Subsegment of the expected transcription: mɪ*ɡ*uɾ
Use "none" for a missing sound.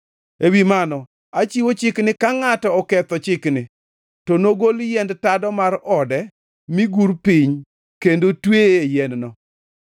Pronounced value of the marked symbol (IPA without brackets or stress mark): ɡ